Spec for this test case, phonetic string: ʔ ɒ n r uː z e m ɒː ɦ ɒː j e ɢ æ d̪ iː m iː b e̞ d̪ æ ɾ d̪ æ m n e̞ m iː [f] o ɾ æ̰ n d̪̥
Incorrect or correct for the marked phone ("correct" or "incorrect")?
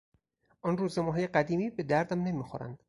incorrect